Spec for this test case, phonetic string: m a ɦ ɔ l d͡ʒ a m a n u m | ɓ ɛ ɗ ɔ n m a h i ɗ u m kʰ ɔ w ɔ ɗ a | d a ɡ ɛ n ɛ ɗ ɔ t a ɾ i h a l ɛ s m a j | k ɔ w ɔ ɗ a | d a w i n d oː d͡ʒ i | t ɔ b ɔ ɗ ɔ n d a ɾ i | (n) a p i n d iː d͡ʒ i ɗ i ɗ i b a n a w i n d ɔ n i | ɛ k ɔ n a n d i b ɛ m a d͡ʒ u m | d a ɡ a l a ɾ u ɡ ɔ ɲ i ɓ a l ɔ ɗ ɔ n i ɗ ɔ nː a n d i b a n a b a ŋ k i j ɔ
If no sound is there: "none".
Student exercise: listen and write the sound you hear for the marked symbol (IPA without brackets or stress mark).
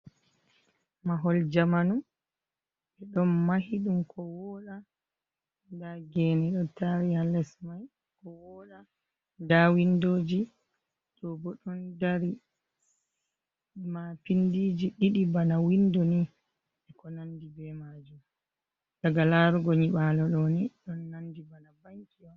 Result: m